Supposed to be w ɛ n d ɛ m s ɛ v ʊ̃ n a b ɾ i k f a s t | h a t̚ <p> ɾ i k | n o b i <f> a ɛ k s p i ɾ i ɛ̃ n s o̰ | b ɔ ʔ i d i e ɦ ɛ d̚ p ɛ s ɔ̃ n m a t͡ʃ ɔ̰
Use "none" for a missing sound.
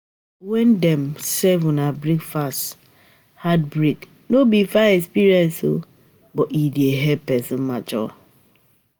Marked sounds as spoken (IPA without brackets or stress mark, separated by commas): b, f